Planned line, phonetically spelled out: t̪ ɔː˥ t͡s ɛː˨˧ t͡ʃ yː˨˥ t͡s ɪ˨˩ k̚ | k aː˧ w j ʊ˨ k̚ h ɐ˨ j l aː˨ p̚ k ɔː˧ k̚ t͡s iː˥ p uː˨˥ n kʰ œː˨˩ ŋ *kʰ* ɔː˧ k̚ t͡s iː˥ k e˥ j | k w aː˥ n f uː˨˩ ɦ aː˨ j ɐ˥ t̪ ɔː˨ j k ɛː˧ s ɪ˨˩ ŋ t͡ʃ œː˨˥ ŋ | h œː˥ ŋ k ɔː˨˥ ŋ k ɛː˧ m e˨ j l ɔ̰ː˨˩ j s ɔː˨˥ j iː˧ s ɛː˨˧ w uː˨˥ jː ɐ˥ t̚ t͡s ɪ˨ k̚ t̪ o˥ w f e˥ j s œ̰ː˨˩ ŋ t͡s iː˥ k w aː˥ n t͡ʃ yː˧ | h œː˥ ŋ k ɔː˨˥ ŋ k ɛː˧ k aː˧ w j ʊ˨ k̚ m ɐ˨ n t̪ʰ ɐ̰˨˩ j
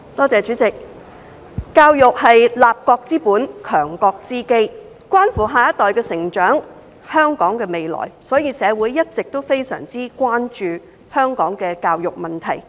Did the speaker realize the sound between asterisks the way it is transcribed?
no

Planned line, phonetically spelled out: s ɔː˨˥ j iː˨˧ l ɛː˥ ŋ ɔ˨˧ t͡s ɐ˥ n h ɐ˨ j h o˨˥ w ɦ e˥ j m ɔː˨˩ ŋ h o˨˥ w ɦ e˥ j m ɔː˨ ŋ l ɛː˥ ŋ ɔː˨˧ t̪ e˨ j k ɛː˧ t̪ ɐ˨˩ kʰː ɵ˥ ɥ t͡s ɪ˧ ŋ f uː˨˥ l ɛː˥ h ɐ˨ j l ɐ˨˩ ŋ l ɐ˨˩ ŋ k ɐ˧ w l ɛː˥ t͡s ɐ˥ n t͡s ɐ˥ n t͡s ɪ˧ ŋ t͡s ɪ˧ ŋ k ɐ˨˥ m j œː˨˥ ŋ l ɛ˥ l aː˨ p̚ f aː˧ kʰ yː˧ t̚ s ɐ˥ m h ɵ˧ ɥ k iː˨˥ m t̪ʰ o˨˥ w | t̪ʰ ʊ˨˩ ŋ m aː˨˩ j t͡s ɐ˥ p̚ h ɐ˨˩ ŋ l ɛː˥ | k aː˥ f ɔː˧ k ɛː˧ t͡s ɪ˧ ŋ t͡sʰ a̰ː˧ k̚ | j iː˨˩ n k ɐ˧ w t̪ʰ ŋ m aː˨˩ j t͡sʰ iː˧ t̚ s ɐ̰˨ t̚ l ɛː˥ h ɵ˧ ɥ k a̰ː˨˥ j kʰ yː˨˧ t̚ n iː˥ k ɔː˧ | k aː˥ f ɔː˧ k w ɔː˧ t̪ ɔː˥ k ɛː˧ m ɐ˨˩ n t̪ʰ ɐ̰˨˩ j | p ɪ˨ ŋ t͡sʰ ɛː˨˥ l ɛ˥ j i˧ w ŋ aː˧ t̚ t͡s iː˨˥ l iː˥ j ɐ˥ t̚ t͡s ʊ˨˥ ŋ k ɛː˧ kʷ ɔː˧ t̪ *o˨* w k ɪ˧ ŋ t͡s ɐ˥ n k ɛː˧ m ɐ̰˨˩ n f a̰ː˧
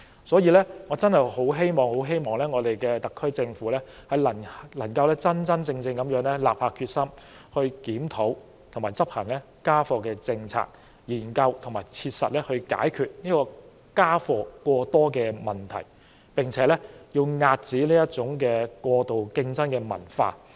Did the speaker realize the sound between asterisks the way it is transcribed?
yes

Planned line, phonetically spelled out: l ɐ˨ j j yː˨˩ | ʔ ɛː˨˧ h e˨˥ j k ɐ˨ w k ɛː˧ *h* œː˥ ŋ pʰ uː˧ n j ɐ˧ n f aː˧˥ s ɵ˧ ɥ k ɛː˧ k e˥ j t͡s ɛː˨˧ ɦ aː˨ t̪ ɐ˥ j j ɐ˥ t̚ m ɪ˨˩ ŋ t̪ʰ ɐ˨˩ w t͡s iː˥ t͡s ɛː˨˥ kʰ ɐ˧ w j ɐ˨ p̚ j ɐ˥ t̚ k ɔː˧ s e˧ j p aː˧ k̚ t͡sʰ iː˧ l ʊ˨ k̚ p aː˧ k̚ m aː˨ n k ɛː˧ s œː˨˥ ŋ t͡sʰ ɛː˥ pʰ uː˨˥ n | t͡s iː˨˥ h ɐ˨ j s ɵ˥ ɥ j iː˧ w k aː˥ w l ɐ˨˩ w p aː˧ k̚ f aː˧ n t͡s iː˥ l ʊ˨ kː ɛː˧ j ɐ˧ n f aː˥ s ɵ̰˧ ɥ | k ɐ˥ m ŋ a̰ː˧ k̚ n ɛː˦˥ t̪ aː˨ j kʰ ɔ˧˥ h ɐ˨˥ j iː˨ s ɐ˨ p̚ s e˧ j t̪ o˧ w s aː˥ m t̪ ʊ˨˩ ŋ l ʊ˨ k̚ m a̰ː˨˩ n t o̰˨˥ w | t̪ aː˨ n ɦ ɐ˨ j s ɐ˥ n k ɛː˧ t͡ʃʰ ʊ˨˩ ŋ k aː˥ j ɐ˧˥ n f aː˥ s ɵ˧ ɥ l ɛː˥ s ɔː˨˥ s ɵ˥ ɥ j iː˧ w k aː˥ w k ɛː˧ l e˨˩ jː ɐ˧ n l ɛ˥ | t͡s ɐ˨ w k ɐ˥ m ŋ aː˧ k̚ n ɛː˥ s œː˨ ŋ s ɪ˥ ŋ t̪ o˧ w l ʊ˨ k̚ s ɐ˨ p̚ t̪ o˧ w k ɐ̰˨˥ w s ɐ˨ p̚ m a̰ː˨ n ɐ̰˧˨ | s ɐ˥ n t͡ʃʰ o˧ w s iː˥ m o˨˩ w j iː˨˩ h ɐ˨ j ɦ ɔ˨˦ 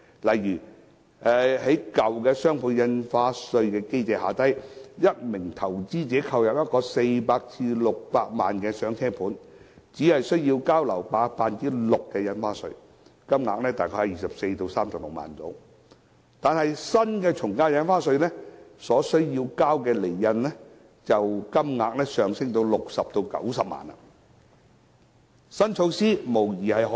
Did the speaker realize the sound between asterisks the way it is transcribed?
no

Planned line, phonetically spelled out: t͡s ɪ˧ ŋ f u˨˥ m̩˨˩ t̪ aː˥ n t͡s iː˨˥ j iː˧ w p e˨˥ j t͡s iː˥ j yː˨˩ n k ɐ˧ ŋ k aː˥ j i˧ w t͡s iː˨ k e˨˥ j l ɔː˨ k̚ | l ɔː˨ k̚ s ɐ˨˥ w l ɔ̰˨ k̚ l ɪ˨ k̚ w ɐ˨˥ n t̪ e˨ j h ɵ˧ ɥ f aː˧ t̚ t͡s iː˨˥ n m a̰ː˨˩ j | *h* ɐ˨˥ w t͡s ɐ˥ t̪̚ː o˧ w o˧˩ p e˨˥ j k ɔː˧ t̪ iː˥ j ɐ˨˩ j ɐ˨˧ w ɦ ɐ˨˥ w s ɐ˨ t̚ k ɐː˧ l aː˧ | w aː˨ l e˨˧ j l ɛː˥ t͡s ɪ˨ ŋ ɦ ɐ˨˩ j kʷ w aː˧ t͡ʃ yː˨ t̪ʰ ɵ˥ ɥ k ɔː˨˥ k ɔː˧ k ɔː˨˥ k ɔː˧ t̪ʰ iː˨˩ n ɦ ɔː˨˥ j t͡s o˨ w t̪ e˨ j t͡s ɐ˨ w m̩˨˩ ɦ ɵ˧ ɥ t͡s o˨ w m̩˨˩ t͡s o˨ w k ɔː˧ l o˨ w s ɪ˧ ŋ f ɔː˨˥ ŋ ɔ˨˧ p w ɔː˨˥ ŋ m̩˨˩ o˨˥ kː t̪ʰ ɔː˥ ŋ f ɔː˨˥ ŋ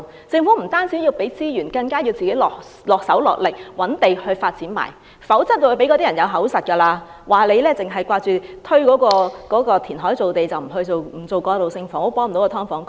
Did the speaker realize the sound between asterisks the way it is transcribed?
no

